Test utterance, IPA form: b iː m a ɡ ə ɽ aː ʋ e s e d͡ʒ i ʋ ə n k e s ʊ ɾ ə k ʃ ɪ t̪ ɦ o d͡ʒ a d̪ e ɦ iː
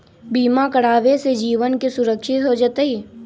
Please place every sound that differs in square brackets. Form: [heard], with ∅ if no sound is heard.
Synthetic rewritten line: b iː m a [k] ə ɽ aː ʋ e s e d͡ʒ [iː] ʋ ə n k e s ʊ ɾ ə k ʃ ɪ t̪ ɦ o d͡ʒ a [t̪] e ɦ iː